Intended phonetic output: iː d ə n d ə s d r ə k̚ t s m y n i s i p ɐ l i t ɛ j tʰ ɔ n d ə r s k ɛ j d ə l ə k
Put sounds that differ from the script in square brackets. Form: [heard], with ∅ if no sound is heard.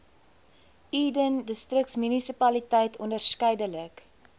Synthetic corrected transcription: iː d ə n d ə s [t] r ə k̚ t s m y n i s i p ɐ l i t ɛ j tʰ ɔ n d ə r s k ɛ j d ə l ə k